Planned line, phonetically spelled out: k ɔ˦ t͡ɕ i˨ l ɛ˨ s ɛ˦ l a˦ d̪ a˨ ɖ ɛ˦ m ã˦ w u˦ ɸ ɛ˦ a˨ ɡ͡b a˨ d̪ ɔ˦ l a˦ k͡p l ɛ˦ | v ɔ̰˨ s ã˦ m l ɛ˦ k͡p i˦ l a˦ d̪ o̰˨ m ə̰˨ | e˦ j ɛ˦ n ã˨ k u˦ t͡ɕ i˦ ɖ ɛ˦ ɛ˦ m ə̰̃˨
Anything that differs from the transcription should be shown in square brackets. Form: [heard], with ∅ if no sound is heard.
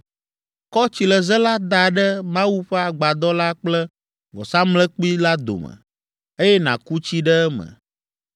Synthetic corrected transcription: k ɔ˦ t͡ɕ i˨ l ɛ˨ [z] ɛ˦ l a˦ d̪ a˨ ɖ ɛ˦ m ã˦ w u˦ ɸ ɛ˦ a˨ ɡ͡b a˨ d̪ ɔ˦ l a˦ k͡p l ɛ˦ | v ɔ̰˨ s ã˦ m l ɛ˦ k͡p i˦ l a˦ d̪ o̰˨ m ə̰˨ | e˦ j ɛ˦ n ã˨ k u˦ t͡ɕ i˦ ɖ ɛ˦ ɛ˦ m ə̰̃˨